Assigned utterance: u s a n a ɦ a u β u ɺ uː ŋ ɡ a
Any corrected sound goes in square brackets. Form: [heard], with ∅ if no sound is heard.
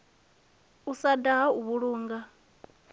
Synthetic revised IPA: u s a [d] a ɦ a u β u ɺ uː ŋ ɡ a